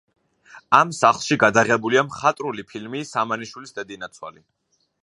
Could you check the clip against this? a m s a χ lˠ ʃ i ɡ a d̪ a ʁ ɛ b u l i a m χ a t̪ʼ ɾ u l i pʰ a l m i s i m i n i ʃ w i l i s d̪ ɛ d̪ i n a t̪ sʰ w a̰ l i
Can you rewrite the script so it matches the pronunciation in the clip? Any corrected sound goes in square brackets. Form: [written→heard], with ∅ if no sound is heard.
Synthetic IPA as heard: a m s a χ lˠ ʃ i ɡ a d̪ a ʁ ɛ b u l i a m χ a t̪ʼ ɾ u l i pʰ [a→i] l m i s [i→a] m [i→a] n i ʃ w i l i s d̪ ɛ d̪ i n a t̪ sʰ w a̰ l i